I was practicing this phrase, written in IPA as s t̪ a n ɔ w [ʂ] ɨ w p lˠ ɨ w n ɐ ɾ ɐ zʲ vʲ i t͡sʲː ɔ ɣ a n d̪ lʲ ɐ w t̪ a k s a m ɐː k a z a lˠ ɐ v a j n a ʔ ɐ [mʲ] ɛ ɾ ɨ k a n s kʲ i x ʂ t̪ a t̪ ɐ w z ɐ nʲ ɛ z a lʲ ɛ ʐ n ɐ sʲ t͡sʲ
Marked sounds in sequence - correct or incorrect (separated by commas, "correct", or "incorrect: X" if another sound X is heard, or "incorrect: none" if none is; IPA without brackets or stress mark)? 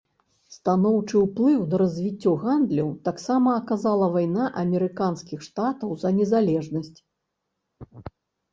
incorrect: t͡ʂ, correct